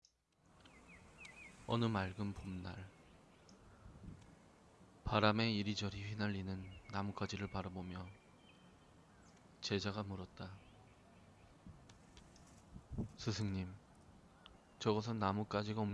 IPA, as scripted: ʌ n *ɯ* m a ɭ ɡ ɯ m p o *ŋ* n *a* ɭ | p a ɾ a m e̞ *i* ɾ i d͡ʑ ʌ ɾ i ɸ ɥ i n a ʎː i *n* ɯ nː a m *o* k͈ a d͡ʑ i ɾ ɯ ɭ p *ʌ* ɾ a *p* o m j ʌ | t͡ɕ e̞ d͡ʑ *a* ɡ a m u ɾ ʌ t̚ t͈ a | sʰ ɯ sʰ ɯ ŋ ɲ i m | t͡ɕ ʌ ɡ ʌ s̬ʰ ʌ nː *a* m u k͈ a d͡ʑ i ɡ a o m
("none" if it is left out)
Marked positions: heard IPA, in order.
ɯ, m, a, i, n, u, a, b, a, a

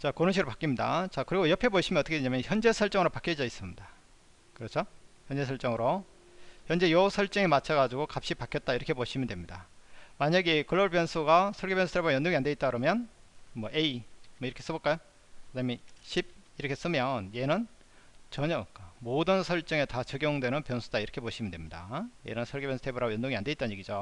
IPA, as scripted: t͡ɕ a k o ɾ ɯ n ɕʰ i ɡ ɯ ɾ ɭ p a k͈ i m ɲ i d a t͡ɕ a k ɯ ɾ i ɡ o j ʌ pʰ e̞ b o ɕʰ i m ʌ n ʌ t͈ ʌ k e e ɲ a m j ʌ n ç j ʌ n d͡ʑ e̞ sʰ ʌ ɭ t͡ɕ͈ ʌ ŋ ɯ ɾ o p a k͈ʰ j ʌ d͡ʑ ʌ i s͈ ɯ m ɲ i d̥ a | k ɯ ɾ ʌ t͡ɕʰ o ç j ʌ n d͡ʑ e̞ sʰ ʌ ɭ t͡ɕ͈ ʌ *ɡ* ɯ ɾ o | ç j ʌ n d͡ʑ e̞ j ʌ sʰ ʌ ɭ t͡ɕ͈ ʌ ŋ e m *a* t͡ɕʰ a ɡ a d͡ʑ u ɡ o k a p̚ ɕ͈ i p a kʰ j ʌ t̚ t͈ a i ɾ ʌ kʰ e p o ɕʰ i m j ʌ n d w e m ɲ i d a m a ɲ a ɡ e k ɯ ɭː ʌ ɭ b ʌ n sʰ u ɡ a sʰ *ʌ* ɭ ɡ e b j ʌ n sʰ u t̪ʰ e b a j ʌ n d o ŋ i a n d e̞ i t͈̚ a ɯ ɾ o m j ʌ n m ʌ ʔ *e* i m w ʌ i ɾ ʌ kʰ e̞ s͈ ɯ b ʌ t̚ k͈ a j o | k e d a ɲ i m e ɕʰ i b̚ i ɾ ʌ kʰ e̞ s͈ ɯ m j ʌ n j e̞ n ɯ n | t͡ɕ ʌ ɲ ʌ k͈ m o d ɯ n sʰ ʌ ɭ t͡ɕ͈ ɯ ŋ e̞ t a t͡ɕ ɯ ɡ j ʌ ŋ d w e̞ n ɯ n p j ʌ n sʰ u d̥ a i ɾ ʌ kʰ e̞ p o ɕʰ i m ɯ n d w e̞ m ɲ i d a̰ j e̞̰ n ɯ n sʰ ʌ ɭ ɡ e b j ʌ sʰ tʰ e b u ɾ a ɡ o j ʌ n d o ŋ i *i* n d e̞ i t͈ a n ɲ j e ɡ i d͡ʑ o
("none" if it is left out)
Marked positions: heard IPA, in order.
ŋ, a, ʌ, e, a

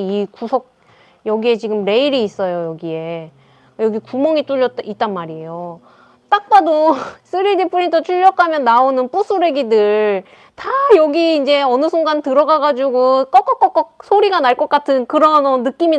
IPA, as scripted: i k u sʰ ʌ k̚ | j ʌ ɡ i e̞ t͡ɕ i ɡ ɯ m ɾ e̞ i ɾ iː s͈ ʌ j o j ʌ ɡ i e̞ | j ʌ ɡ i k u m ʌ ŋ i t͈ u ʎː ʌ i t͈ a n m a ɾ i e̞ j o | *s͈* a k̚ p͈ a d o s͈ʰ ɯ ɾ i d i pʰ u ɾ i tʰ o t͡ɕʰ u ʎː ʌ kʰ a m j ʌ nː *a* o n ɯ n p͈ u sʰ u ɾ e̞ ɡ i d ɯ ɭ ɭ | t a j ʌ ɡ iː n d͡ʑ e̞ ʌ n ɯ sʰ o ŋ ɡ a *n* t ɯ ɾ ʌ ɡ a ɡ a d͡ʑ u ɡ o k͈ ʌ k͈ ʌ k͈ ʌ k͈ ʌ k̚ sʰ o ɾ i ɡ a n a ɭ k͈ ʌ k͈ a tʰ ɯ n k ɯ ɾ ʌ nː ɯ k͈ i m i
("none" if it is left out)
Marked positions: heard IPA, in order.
t͈, a, n

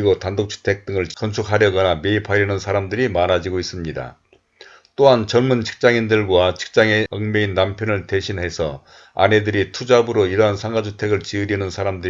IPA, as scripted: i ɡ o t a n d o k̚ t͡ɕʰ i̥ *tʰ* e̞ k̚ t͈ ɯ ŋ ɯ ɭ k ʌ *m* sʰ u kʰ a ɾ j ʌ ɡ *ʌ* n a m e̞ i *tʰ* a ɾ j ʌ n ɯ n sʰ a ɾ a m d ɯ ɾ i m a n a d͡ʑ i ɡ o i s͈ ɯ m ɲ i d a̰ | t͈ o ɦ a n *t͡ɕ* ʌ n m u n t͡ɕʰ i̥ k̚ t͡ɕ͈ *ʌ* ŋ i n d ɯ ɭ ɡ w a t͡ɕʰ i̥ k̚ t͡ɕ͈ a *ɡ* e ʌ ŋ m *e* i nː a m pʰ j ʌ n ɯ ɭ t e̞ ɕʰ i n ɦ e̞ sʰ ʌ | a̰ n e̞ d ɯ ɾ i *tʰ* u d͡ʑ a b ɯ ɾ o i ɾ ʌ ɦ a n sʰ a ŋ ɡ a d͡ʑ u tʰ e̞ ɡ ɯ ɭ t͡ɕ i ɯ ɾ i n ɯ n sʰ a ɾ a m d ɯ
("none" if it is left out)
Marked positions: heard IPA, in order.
tʰ, n, ʌ, pʰ, t͡ɕ, a, ŋ, e, tʰ

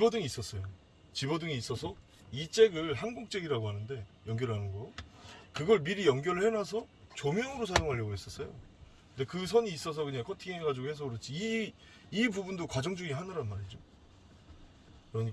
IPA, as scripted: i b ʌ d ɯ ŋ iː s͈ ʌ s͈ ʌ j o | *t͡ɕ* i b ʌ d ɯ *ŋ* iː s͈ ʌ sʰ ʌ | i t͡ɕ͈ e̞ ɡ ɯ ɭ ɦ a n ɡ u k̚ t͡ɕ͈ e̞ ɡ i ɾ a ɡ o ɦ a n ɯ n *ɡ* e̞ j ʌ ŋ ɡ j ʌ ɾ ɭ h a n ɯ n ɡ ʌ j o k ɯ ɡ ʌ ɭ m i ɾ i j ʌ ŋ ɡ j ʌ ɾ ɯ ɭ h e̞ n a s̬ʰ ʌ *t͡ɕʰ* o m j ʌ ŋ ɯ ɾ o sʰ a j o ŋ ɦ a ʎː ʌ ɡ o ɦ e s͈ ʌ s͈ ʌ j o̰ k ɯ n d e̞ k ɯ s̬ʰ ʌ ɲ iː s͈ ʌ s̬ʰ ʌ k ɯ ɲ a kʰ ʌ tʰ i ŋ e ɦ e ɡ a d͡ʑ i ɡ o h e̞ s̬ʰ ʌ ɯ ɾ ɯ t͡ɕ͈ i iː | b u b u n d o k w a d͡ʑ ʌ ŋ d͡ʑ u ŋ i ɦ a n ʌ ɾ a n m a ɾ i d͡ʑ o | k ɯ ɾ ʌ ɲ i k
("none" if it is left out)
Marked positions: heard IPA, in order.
t͡ɕ, ŋ, d, t͡ɕ

